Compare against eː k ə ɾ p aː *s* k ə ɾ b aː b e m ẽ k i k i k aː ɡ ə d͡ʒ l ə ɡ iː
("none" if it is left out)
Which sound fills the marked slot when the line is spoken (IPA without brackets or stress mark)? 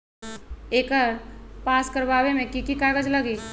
s